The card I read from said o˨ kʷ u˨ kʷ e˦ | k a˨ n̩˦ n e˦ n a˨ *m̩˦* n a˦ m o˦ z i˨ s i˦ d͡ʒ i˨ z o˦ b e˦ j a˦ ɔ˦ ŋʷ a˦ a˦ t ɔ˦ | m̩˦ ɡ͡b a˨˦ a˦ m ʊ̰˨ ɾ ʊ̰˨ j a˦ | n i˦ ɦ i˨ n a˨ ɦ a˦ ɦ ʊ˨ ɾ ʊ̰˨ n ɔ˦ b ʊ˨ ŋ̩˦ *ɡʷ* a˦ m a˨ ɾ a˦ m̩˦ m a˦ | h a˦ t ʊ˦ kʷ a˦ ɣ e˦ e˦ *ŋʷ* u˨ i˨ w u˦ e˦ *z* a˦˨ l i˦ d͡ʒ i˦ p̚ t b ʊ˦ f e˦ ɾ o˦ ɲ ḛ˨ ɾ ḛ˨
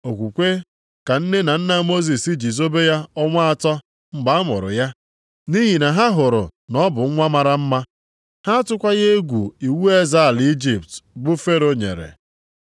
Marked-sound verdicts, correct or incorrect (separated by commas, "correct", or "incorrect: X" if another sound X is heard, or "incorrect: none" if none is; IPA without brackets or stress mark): incorrect: n̩˦, incorrect: ŋʷ, incorrect: ɡʷ, correct